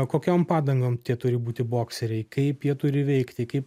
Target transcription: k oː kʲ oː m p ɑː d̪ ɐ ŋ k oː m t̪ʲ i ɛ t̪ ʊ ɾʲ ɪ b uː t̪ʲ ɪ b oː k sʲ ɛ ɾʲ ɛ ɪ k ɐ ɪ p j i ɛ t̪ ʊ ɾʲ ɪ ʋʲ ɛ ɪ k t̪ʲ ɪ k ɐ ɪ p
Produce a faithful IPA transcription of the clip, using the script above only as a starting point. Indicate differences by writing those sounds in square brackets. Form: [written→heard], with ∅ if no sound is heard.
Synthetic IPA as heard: k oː kʲ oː m p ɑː d̪ ɐ ŋ [k→ɡ] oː m t̪ʲ i ɛ t̪ ʊ ɾʲ ɪ b uː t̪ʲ ɪ b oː k sʲ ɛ ɾʲ ɛ ɪ k ɐ ɪ p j i ɛ t̪ ʊ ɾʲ ɪ ʋʲ ɛ ɪ k t̪ʲ ɪ k ɐ ɪ p